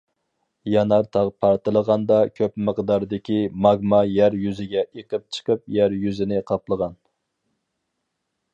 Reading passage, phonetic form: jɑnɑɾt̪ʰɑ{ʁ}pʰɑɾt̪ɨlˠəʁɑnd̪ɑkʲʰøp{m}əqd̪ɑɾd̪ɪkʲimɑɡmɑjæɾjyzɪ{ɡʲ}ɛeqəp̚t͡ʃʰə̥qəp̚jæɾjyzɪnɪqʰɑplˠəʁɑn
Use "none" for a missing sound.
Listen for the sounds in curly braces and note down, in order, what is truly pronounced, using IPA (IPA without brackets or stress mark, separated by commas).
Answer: ʁ, m, ɡʲ